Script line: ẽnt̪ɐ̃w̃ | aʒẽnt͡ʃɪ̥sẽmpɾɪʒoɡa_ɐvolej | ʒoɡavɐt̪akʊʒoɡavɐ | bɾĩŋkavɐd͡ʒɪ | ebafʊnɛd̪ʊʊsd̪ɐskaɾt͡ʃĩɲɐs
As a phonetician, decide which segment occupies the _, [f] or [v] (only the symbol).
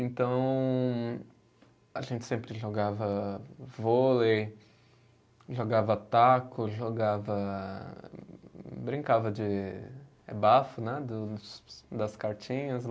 v